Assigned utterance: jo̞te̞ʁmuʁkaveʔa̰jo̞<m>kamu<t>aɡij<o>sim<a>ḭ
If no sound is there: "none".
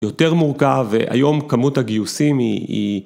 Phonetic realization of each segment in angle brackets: m, t, u, i

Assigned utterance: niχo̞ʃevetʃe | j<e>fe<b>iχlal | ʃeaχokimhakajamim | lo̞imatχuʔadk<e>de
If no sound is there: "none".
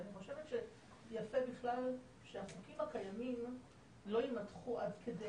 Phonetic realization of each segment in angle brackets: a, b, e

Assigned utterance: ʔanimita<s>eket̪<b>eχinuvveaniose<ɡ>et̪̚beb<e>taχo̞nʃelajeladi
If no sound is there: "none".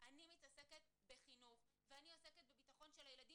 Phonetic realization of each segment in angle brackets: s, b, k, i

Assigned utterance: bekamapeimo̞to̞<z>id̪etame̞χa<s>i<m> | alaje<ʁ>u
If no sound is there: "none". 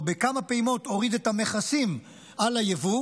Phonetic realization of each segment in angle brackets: ʁ, s, m, v

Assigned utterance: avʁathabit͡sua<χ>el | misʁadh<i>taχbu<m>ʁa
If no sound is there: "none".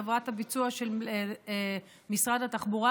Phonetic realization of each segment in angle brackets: ʃ, a, none

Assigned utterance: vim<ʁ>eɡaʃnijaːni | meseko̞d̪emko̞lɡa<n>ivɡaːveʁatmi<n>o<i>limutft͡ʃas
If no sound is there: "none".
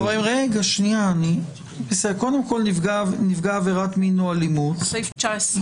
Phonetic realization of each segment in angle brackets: ʁ, n, n, a

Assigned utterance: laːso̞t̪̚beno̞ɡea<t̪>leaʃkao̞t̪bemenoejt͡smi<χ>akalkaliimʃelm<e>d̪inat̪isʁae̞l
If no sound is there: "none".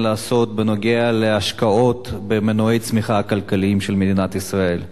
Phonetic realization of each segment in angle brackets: none, χ, e

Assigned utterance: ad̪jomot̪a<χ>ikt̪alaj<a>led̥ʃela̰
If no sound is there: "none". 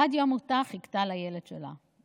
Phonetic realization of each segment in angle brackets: χ, e

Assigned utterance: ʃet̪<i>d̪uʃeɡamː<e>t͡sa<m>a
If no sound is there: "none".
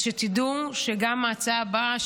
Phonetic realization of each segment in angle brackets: i, a, b

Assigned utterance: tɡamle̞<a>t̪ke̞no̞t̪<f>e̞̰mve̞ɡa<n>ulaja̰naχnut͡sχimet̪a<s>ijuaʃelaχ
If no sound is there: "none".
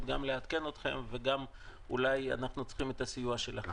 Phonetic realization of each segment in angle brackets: a, χ, m, s

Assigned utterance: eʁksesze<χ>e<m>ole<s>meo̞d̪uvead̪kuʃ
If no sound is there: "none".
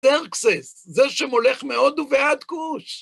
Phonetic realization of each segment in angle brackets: ʃ, m, χ

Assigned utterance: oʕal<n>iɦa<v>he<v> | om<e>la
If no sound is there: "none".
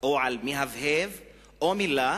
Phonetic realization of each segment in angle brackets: m, v, v, i

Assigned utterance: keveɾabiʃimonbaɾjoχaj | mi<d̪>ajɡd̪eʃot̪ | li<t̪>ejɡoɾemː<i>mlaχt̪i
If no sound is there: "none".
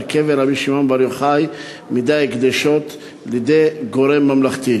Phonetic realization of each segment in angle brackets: d̪, d̪, a

